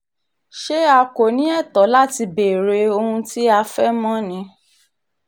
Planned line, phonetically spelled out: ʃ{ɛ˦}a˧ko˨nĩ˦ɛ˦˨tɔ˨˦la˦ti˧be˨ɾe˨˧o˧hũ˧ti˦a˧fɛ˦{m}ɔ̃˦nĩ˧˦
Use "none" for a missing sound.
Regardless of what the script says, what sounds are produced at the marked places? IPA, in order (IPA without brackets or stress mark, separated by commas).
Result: e˦, m